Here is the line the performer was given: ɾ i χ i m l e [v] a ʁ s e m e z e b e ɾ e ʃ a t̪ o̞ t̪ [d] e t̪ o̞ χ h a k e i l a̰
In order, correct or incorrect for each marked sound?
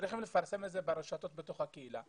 incorrect: f, incorrect: b

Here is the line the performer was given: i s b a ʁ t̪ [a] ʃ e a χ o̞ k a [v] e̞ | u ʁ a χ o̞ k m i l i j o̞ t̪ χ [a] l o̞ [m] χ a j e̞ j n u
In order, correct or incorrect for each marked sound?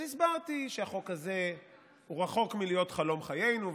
incorrect: i, incorrect: z, correct, correct

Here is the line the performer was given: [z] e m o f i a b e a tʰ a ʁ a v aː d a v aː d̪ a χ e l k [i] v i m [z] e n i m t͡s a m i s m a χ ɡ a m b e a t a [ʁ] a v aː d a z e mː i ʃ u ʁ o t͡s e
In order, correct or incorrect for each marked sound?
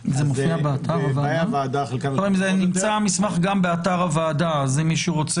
correct, incorrect: a, correct, correct

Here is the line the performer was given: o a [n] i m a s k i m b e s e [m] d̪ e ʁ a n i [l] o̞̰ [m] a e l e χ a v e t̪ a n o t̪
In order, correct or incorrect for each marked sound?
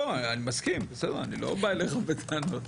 correct, incorrect: none, correct, incorrect: b

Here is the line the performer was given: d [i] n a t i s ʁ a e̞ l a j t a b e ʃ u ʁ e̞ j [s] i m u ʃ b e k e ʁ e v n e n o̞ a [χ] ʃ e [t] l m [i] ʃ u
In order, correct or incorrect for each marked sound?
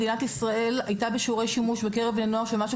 correct, incorrect: ʃ, incorrect: ʁ, incorrect: none, incorrect: a

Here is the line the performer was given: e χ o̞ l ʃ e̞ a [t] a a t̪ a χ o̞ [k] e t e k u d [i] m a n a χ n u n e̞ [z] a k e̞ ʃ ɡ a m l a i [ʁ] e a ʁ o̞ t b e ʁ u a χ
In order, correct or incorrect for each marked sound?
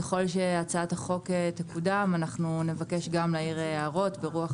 incorrect: t͡s, correct, incorrect: a, incorrect: v, correct

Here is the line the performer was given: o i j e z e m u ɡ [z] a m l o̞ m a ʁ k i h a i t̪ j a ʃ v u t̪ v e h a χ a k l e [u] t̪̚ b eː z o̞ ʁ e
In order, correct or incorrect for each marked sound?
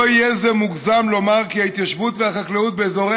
correct, correct

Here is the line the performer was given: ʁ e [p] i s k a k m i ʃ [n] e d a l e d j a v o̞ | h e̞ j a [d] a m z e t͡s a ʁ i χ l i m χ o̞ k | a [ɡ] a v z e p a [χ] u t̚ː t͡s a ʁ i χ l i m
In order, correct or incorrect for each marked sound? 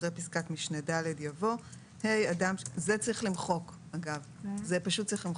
correct, correct, correct, correct, incorrect: ʃ

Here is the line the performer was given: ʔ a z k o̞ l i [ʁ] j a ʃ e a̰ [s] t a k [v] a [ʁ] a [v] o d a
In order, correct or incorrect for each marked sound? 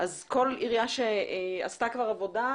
correct, correct, correct, correct, correct

